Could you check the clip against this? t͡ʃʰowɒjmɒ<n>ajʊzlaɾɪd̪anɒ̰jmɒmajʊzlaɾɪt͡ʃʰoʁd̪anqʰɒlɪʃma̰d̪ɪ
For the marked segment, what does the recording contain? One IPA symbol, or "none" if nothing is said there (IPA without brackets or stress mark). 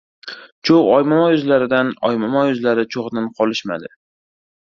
m